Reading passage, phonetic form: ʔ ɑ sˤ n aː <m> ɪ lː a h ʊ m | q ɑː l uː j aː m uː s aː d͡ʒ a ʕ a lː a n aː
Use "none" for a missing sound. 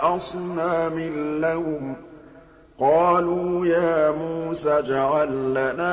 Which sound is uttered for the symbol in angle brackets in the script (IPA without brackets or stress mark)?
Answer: m